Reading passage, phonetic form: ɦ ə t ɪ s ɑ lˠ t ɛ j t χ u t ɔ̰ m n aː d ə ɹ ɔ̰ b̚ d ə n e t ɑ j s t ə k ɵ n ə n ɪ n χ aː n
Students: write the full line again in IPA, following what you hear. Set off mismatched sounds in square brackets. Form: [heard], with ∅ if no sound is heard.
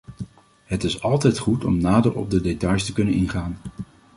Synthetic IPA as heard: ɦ ə t ɪ s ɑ lˠ t ɛ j t χ u t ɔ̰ m n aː d ə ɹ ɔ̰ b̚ d ə [d] e t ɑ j s t ə k ɵ n ə n ɪ n χ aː n

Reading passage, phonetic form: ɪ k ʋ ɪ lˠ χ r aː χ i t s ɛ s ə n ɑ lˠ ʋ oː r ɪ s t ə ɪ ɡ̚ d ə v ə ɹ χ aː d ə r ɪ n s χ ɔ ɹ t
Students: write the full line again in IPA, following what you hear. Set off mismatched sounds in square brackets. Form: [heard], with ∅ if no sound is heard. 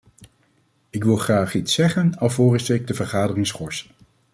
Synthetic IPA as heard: ɪ k ʋ ɪ lˠ χ r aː χ i t s ɛ [χ] ə n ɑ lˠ [v] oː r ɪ s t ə ɪ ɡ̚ d ə v ə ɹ χ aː d ə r ɪ [ŋ] s χ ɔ ɹ [s]

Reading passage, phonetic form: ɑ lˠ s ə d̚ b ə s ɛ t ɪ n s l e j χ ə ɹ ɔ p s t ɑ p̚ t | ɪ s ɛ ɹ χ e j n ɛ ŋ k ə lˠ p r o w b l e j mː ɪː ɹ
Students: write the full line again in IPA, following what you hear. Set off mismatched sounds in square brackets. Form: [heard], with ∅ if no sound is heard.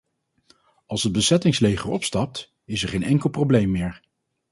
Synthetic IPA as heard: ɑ lˠ s ə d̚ b ə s ɛ t ɪ [ŋ] s l e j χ ə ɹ ɔ p s t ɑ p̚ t | ɪ s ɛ ɹ χ e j n ɛ ŋ k ə lˠ p r o w b l e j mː ɪː ɹ

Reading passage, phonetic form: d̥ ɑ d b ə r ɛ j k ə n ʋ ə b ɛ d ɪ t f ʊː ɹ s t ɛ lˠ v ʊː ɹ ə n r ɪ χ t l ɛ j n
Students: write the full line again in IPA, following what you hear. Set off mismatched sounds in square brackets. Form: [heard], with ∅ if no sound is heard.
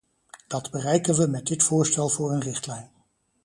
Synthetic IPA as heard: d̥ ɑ d b ə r ɛ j k ə n ʋ ə [m] ɛ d ɪ t f ʊː ɹ s t ɛ lˠ v ʊː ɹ ə n r ɪ χ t l ɛ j n

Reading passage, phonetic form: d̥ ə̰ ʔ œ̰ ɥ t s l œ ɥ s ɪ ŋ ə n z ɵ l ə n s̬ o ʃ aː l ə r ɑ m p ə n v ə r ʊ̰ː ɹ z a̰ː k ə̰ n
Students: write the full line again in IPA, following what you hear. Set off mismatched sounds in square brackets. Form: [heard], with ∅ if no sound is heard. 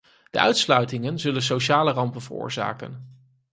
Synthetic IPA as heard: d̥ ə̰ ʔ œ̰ ɥ t s l œ ɥ [t] ɪ ŋ ə n z ɵ l ə n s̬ o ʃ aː l ə r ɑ m p ə n v ə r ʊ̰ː ɹ z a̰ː k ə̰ n

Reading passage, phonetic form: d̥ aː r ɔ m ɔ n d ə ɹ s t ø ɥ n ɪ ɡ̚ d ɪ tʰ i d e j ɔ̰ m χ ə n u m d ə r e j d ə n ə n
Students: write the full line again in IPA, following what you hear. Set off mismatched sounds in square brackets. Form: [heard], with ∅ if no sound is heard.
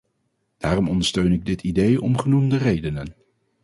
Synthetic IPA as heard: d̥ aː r ɔ m ɔ n d ə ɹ s t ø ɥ n ɪ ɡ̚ d ɪ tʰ i d e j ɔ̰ m χ ə n u m d ə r e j d ə n ə n

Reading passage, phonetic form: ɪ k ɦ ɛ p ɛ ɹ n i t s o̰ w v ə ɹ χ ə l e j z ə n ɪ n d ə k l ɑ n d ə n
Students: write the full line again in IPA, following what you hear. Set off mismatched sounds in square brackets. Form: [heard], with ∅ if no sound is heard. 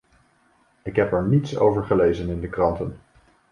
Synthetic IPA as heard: ɪ k ɦ ɛ p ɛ ɹ n i t s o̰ w v ə ɹ χ ə l e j z ə n ɪ n d ə k [r] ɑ n [t] ə n

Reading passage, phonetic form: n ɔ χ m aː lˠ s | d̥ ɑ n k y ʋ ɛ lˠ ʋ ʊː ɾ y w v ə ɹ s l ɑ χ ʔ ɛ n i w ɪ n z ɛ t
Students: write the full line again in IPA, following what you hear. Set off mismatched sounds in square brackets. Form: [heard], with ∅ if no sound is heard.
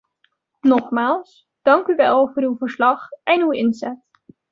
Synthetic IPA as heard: n ɔ χ m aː lˠ s | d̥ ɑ [ŋ] k y ʋ ɛ lˠ [v] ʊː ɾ y w v ə ɹ s l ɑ χ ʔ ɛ n [y] w ɪ n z ɛ t

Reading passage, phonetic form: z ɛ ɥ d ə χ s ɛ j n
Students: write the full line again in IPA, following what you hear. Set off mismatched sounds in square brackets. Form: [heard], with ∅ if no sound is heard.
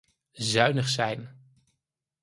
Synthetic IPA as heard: z [œ] ɥ [n] ə χ s ɛ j n

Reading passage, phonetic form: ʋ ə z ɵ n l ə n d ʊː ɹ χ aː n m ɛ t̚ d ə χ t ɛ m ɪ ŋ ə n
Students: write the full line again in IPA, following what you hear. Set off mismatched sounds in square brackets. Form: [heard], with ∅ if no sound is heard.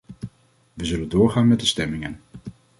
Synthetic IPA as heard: ʋ ə z ɵ [∅] l ə n d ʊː ɹ χ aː n m ɛ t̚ d ə [s] t ɛ m ɪ ŋ ə n

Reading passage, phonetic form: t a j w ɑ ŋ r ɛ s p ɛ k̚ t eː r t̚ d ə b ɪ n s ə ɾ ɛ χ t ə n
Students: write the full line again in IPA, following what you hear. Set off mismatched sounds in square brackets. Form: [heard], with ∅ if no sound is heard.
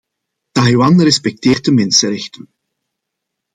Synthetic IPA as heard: t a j w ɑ [n] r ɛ s p ɛ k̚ t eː r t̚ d ə [m] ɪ n s ə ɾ ɛ [x] t ə n

